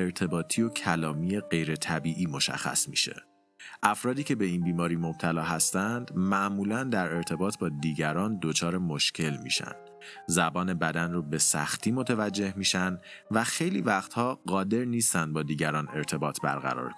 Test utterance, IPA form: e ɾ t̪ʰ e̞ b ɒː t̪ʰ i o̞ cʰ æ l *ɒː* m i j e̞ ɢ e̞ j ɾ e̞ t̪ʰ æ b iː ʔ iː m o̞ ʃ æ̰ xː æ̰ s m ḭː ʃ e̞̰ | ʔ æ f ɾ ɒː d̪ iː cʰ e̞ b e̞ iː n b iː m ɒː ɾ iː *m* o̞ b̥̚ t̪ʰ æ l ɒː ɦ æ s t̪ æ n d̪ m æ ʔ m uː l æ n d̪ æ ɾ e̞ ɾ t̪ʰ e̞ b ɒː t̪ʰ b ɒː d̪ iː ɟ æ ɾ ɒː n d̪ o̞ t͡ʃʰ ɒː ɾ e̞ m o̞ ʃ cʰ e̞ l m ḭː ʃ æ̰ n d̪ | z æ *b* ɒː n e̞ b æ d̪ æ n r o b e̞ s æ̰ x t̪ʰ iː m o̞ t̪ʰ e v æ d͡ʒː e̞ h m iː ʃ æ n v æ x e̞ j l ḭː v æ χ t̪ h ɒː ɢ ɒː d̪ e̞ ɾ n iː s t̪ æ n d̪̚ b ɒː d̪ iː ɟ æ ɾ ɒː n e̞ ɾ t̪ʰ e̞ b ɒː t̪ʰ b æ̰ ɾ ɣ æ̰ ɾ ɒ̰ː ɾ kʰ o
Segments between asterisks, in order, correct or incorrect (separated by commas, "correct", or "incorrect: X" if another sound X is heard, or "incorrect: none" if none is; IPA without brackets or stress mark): correct, correct, correct